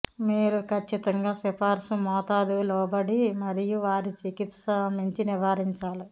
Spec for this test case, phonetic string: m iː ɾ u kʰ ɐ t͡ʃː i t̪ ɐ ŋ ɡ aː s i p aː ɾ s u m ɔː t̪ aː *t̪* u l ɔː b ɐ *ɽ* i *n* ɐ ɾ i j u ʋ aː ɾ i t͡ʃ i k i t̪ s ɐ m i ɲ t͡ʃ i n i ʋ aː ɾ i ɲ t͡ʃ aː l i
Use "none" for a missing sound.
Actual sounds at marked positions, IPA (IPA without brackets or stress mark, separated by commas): d̪, ɽ, m